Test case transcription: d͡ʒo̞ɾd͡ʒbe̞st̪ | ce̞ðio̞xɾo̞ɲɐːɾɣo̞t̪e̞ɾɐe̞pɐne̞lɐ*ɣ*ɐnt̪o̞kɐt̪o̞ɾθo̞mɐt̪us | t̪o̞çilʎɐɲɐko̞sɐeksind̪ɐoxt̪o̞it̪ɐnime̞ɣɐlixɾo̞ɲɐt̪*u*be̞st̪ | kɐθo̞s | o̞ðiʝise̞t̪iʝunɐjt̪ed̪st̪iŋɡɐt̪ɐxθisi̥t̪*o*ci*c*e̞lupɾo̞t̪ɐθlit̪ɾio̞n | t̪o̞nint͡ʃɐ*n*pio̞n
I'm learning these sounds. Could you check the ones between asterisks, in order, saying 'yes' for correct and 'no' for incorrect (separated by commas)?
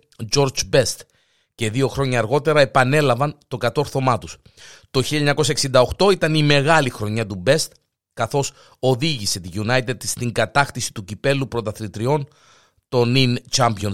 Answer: no, yes, no, no, no